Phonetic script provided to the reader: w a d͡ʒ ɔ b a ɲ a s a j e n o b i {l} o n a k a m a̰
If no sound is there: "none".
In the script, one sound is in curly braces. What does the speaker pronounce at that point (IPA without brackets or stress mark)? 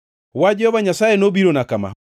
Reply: ɾ